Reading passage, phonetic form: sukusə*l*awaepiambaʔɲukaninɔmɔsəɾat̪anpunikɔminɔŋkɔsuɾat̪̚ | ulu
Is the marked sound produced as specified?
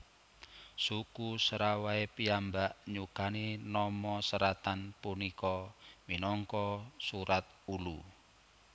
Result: no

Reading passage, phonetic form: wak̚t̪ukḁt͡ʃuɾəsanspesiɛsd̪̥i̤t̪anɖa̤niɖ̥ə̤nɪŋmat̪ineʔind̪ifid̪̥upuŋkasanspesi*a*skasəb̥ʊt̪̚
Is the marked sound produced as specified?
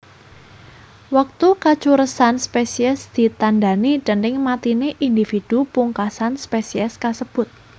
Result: no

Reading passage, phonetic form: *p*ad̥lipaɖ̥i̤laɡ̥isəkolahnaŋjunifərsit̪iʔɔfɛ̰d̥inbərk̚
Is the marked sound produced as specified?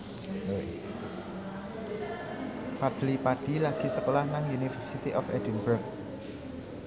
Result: yes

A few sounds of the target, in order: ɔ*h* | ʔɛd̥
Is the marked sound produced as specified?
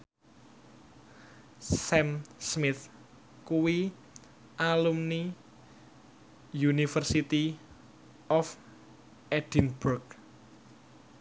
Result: no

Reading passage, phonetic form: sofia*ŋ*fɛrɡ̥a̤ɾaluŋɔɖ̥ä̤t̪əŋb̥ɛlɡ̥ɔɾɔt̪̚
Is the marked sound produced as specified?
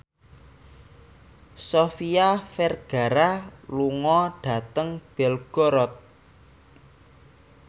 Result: no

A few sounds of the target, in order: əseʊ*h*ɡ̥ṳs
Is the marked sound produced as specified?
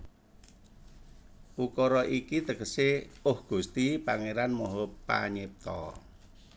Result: yes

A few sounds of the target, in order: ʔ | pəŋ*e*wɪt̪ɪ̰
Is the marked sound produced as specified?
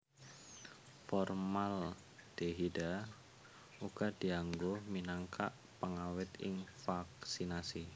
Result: no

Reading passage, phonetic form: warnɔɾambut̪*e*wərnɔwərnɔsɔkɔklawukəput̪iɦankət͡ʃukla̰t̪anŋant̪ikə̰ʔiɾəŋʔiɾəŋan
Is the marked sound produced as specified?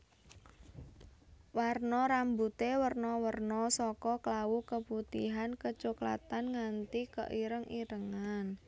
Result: yes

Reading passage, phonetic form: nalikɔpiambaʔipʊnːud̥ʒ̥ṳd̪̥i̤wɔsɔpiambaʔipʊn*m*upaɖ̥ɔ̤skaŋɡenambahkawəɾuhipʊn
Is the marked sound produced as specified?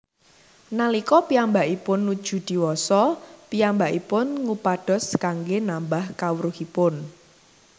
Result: no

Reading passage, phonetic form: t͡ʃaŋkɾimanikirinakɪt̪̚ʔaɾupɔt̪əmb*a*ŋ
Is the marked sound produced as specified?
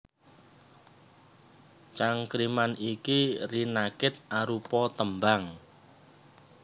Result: yes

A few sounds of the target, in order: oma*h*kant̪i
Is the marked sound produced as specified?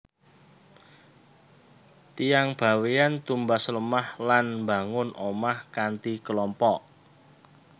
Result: yes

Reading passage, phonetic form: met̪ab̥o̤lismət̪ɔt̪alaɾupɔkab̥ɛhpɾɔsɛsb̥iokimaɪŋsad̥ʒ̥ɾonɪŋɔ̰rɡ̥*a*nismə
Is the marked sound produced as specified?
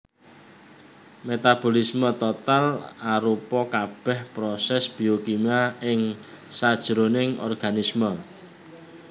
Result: yes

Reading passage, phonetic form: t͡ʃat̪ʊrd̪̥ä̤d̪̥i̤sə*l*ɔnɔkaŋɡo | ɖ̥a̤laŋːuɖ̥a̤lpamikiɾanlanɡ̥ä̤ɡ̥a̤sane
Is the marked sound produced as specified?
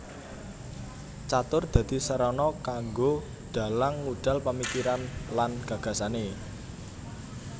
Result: no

